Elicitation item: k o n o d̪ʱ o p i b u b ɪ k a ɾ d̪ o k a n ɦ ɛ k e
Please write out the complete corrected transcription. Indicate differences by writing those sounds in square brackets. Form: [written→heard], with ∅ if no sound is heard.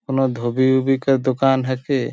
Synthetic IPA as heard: k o n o d̪ʱ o [p→b] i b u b [ɪ→i] k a ɾ d̪ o k a n ɦ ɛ k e